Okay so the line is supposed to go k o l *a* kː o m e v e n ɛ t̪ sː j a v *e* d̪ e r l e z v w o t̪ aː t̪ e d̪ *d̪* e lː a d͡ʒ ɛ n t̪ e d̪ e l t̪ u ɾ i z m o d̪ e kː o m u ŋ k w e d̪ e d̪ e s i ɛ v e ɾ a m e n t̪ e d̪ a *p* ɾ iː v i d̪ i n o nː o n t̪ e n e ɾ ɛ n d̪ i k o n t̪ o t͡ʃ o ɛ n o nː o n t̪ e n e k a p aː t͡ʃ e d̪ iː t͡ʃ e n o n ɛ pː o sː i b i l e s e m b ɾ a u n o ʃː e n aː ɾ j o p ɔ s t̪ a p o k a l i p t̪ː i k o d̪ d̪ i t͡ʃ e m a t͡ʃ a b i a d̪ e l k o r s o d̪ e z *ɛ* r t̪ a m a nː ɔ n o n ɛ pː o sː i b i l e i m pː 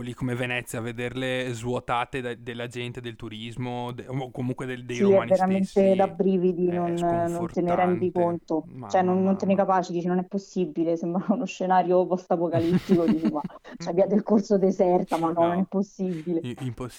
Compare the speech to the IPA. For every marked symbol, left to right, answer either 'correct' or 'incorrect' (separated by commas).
incorrect, correct, correct, incorrect, correct